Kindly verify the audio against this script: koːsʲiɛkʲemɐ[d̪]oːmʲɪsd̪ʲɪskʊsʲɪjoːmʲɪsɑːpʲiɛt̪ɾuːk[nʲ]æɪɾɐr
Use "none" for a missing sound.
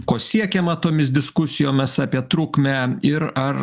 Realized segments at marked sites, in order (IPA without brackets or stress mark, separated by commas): t̪, mʲ